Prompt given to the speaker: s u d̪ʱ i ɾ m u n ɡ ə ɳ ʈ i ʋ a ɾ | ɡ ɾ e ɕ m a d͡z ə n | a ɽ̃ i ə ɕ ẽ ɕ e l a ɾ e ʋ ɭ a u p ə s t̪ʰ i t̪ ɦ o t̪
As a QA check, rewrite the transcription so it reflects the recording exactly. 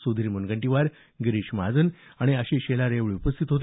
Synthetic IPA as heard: s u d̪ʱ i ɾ m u n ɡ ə ɳ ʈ i ʋ a ɾ | ɡ ɾ i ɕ m a d͡z ə n | a ɽ̃ i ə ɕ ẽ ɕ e l a ɾ e ʋ ɭ i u p ə s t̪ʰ i t̪ ɦ o t̪